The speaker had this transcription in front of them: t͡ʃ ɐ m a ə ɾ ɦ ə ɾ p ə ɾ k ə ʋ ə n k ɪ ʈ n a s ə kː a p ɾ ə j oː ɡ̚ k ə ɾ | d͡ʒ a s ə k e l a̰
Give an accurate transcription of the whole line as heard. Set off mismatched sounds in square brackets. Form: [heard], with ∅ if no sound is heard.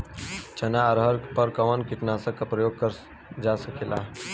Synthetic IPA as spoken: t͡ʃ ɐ [n] a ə ɾ ɦ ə ɾ p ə ɾ k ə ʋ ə n k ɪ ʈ n a s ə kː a p ɾ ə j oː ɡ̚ k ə ɾ | d͡ʒ a s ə k e l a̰